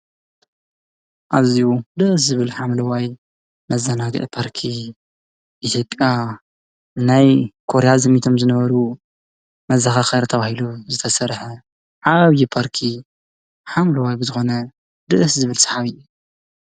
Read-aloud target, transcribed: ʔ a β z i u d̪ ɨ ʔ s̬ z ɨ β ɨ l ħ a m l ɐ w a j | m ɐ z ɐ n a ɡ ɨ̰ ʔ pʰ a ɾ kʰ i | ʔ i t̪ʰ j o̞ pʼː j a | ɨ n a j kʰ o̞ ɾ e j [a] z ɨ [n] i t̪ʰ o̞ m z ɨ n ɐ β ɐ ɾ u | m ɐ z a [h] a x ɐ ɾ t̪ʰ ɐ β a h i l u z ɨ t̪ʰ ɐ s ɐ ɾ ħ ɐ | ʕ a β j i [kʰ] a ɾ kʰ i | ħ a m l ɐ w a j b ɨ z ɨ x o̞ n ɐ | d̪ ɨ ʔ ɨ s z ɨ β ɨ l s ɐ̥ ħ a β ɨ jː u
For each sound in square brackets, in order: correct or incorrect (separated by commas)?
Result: correct, incorrect, incorrect, incorrect